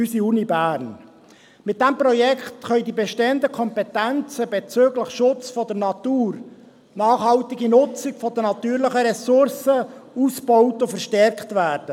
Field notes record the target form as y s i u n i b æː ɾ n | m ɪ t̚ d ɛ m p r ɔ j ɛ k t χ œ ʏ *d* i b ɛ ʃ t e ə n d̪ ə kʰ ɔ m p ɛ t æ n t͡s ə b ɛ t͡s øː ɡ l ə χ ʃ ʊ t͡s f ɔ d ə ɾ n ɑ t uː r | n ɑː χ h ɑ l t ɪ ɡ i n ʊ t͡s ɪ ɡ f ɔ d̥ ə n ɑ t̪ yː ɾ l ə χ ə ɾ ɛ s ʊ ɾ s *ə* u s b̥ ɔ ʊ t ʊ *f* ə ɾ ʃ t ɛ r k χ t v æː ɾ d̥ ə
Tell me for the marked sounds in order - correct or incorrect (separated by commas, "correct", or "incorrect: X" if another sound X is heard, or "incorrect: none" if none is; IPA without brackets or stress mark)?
correct, correct, correct